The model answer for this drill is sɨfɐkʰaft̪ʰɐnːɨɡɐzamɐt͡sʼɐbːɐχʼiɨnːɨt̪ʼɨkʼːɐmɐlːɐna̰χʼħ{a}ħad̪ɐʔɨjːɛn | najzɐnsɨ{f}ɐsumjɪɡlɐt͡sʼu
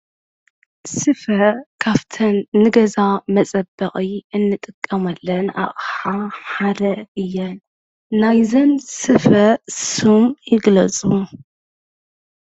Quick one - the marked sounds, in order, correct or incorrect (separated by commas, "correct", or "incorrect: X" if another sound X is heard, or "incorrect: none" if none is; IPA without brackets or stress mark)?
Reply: correct, correct